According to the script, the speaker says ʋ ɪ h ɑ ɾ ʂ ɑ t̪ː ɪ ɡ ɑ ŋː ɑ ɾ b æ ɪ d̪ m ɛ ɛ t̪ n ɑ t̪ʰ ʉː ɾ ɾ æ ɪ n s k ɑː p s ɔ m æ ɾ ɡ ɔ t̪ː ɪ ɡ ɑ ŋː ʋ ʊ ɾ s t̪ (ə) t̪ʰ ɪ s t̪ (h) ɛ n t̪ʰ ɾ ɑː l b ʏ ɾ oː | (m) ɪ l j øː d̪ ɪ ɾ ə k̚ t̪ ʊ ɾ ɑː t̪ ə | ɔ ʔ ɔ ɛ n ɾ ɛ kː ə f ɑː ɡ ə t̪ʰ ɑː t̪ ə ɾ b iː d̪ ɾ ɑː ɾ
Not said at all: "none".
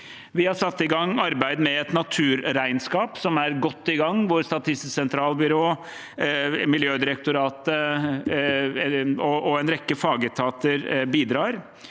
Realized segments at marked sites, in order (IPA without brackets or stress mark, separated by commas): ɑ, s, m